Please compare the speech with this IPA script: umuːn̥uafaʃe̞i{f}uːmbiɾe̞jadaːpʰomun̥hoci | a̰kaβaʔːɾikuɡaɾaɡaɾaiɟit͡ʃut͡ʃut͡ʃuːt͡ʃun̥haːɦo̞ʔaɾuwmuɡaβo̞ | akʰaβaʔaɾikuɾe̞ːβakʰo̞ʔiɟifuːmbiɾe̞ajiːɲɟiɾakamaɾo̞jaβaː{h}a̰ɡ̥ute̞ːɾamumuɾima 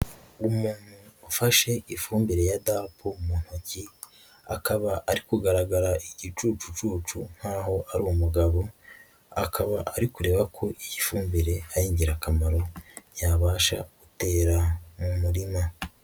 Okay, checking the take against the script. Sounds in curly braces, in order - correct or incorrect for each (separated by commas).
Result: correct, incorrect